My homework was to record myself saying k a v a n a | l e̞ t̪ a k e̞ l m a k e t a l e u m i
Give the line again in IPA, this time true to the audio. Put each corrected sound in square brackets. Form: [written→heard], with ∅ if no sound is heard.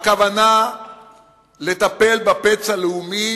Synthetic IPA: k a v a n a | l e̞ t̪ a [k→p] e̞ l [m→b] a [k→p] e [t→t͡s] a l e u m i